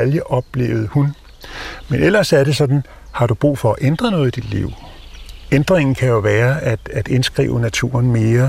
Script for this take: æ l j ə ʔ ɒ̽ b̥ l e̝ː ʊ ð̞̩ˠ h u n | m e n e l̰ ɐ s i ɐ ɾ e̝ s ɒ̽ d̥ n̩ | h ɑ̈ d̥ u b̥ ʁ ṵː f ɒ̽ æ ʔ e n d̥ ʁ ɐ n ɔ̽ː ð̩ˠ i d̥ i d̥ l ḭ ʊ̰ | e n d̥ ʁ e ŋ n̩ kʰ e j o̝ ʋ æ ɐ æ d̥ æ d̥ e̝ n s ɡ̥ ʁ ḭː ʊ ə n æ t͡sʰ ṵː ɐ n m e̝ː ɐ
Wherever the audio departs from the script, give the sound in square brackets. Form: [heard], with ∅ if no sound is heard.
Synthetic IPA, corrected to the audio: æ l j ə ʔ ɒ̽ b̥ l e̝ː ʊ ð̞̩ˠ h u n | m e n e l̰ ɐ s [æ] ɐ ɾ e̝ s ɒ̽ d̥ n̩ | h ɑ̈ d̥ u b̥ ʁ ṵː f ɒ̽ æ ʔ e n d̥ ʁ ɐ n ɔ̽ː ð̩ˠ i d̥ i d̥ l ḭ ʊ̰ | e n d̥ ʁ e ŋ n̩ kʰ [æ] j o̝ ʋ [æː] ɐ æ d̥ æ d̥ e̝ n s ɡ̥ ʁ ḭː ʊ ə n æ t͡sʰ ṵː ɐ n m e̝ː ɐ